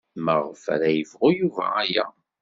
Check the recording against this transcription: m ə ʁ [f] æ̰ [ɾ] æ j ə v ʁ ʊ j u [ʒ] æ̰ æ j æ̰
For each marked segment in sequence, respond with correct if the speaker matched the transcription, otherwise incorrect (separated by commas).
correct, correct, incorrect